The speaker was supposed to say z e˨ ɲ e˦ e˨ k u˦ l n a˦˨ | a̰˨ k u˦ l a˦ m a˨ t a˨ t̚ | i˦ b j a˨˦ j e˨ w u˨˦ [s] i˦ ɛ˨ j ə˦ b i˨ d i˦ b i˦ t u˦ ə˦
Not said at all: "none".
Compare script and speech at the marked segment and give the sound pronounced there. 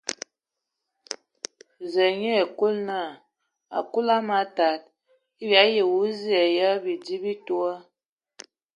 z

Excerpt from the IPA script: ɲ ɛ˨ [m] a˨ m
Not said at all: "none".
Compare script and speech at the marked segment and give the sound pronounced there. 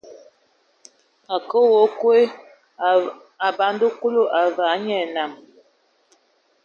n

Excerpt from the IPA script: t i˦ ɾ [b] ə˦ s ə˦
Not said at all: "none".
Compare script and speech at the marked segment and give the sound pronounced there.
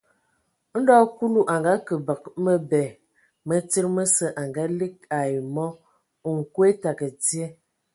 m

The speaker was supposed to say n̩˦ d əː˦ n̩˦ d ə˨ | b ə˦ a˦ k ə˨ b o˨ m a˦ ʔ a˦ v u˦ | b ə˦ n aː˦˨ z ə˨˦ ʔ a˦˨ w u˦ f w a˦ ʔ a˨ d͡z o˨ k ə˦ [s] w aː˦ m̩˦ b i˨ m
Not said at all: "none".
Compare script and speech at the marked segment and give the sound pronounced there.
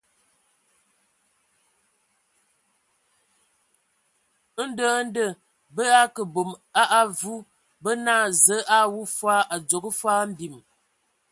f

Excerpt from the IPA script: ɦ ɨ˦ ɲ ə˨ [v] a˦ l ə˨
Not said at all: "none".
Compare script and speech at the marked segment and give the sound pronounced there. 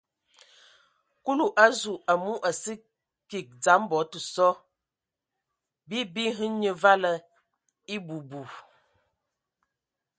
v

